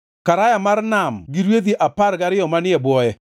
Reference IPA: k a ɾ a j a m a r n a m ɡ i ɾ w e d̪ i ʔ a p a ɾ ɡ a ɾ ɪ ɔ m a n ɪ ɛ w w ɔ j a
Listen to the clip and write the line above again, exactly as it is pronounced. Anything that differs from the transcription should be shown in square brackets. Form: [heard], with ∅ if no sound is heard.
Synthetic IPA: k a ɾ a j a m a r n a m ɡ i ɾ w e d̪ i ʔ a p a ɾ ɡ a ɾ ɪ ɔ m a n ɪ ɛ [b] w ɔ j [ɛ]